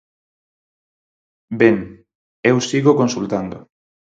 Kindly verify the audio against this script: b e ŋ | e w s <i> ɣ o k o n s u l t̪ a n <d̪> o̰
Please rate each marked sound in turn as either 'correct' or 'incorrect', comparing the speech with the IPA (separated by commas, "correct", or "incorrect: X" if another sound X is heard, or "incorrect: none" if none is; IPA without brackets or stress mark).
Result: correct, correct